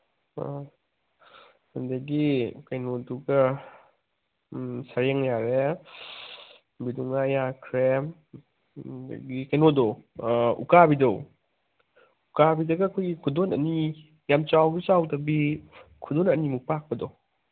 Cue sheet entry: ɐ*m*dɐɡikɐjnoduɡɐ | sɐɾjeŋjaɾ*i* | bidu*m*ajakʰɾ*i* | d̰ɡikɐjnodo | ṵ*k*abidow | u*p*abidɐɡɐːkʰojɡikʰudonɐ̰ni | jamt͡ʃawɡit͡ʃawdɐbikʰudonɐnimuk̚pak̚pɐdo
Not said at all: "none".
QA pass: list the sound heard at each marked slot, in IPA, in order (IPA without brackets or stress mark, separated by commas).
n, e, ŋ, e, k, k